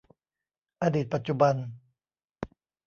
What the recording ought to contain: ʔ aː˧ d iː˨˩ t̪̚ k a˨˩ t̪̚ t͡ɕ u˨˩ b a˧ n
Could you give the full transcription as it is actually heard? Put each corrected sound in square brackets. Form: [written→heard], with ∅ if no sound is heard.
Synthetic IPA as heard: ʔ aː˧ d iː˨˩ t̪̚ [k→p] a˨˩ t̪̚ t͡ɕ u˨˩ b a˧ n